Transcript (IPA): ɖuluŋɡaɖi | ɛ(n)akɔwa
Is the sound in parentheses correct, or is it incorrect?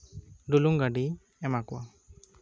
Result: incorrect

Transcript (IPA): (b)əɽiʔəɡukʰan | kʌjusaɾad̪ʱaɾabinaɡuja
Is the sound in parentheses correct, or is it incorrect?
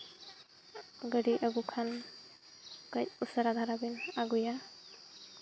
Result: incorrect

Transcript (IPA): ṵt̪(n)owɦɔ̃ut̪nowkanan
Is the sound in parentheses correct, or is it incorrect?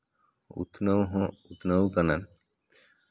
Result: correct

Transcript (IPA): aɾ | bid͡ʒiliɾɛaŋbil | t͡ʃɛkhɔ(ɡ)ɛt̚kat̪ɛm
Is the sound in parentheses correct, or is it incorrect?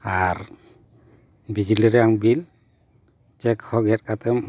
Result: correct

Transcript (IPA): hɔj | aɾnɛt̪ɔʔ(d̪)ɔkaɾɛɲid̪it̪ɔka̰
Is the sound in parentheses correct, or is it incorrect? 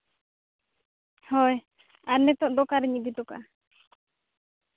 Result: correct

